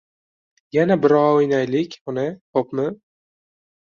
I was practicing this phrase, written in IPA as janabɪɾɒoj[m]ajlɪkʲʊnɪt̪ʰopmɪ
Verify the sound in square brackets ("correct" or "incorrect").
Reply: incorrect